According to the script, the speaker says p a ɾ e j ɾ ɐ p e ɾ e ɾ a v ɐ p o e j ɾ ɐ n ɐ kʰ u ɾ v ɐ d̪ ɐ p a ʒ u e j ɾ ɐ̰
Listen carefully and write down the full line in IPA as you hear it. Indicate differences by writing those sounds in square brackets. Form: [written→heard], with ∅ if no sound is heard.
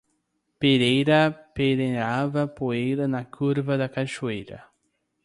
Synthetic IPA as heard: p [a→e] ɾ e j ɾ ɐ p e ɾ e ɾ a v ɐ p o e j ɾ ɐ n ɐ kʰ u ɾ v ɐ d̪ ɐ [p→k] a [ʒ→ʃ] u e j ɾ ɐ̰